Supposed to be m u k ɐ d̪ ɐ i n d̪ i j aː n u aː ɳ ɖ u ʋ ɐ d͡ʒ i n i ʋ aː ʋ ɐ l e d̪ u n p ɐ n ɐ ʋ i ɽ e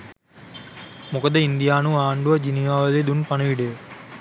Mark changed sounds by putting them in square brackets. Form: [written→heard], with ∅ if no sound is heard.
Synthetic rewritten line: m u k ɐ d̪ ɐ i n d̪ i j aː n u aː ɳ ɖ u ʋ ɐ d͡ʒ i n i ʋ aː ʋ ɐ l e d̪ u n p ɐ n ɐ ʋ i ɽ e

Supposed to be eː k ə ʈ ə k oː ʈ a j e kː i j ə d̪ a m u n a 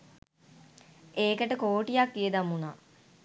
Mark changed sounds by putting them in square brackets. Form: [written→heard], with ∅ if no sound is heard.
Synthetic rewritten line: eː k ə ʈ ə k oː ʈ [a→i] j [e→a] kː i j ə d̪ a m u n a

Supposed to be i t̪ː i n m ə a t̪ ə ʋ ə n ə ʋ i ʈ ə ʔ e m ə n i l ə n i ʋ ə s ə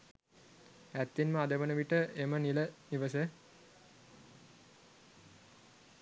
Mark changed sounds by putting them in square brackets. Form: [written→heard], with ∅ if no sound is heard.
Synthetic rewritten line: [i→æ] t̪ː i n m ə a [t̪→d̪] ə ʋ ə n ə ʋ i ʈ ə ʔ e m ə n i l ə n i ʋ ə s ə

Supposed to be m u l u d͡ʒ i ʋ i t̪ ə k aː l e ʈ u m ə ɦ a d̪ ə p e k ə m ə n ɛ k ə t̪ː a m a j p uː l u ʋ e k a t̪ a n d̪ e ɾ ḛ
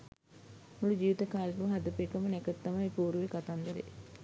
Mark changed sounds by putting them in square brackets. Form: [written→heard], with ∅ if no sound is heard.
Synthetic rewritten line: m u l u d͡ʒ [i→iː] ʋ i t̪ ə k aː l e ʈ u m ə ɦ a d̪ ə p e k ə m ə n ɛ k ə t̪ː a m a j p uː [l→ɾ] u ʋ e k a t̪ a n d̪ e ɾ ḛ

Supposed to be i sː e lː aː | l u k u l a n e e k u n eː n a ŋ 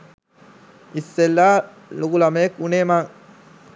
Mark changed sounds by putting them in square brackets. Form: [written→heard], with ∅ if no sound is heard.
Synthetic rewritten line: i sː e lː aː | l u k u l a [n→m] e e k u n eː [n→m] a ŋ

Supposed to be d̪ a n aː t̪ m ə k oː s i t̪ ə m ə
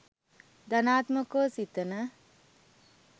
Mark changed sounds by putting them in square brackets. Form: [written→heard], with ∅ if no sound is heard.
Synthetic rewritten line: d̪ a n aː t̪ m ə k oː s i t̪ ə [m→n] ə

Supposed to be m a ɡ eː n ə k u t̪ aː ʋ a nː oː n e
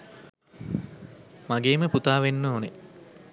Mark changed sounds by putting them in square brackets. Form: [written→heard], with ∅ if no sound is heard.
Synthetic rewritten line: m a ɡ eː [n→m] ə [k→p] u t̪ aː ʋ [a→e] nː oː n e

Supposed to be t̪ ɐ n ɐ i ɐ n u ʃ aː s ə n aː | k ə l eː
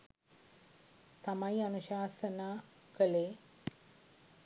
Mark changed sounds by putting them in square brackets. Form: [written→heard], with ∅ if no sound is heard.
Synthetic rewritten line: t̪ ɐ [n→m] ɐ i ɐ n u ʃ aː s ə n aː | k ə l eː

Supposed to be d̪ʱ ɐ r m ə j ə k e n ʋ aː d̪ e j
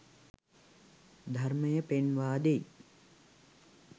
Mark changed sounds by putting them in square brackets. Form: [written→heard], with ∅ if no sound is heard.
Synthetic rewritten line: d̪ʱ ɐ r m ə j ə [k→p] e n ʋ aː d̪ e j

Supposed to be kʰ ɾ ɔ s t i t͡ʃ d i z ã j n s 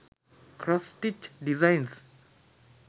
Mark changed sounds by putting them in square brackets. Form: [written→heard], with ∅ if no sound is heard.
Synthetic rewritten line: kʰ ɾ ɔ s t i t͡ʃ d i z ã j n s

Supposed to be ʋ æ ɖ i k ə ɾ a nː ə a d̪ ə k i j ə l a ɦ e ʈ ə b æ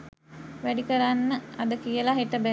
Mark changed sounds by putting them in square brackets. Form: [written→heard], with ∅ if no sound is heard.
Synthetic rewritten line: ʋ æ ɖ i k ə ɾ a nː ə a d̪ ə k i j ə l a ɦ e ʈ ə b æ

